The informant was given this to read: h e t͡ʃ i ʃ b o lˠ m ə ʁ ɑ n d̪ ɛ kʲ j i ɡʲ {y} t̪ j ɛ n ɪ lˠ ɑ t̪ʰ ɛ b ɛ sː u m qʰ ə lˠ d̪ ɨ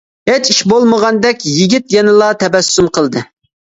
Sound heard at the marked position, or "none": i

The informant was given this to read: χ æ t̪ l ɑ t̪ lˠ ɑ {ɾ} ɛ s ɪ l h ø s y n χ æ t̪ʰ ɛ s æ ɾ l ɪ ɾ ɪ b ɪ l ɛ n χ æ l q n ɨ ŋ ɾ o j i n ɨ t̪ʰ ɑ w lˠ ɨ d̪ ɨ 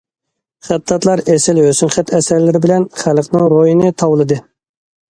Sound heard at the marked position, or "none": ɾ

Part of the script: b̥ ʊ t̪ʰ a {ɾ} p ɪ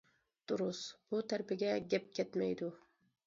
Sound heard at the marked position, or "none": ɾ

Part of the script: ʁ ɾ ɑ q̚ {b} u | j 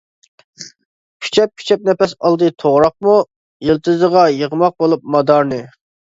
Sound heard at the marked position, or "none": m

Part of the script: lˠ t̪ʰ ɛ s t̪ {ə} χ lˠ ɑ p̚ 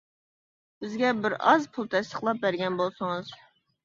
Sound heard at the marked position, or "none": ə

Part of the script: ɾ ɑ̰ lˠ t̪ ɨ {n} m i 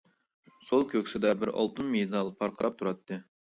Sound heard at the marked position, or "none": n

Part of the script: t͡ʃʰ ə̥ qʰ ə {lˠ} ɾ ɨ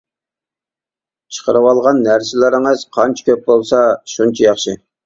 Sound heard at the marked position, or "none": none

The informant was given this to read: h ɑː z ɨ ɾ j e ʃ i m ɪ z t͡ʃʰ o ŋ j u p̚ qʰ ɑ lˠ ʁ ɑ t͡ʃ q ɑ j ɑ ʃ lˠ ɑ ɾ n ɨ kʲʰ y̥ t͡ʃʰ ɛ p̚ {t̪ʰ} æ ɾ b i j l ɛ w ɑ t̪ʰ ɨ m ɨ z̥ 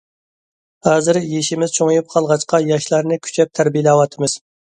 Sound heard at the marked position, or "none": t̪ʰ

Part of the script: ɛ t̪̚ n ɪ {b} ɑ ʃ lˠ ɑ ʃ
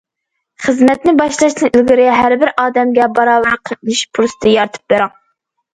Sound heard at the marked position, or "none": b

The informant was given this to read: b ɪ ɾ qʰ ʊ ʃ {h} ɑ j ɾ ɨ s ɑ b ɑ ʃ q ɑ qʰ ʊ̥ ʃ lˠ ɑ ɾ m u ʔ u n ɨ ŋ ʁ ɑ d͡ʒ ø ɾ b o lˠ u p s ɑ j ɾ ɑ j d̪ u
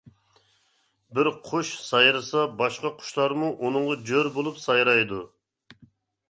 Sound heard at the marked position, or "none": s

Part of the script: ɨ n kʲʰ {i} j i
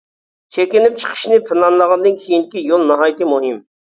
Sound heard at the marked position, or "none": i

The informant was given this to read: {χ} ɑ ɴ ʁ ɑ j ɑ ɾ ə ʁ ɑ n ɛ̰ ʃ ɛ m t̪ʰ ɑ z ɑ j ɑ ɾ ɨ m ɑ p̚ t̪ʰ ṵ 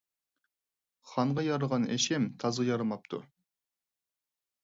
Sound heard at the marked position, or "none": χ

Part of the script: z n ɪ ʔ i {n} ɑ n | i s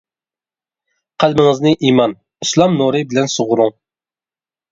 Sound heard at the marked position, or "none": m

